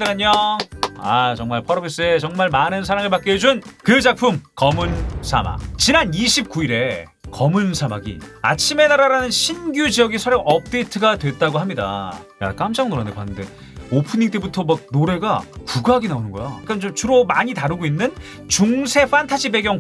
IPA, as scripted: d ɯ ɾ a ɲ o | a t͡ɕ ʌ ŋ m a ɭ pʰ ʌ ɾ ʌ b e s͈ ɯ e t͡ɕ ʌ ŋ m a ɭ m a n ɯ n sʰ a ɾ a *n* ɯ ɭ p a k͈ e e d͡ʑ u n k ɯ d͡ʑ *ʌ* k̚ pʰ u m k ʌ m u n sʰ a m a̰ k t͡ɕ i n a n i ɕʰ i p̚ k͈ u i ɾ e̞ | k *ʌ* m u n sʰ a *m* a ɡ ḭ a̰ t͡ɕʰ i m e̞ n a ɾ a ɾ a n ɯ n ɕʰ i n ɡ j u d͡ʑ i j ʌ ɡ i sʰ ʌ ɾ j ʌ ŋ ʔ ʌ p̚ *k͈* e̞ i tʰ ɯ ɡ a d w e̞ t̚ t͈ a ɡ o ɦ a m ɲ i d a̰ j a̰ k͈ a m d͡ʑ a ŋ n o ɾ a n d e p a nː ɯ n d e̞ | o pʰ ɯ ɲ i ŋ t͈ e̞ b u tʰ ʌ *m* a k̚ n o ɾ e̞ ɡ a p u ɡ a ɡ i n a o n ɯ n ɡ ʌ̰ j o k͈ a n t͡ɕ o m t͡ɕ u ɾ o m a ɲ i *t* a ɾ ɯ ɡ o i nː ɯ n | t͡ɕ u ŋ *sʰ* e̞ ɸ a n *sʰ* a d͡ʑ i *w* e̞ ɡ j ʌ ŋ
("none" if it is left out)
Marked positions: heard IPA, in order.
ŋ, a, ʌ, m, t͈, m, t, sʰ, tʰ, b

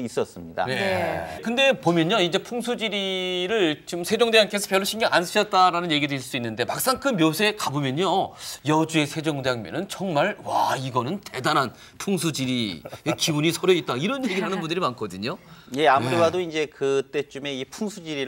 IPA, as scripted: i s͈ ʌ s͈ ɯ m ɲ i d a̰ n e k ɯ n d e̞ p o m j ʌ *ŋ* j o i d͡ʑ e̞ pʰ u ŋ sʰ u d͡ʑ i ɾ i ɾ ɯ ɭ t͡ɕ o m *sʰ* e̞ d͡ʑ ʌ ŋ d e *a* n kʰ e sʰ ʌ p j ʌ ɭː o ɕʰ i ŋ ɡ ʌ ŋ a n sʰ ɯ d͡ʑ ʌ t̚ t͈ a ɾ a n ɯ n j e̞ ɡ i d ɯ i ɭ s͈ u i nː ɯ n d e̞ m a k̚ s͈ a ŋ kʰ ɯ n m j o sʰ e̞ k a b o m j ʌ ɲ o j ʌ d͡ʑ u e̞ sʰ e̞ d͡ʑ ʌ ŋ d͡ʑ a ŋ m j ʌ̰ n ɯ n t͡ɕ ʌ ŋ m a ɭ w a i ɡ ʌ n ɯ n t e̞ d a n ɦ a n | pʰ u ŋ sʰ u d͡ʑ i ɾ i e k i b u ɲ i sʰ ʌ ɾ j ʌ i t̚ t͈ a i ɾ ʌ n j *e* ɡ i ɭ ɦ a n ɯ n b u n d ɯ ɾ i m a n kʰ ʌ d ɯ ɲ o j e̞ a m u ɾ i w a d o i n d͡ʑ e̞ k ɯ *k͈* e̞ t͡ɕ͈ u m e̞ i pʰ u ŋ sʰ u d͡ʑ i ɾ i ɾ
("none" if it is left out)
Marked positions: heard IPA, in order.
ɲ, sʰ, a, e, t͈

